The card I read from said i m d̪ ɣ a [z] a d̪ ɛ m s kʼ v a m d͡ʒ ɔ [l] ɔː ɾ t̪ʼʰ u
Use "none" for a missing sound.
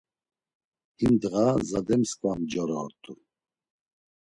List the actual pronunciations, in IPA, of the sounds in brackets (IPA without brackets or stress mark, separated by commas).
z, ɾ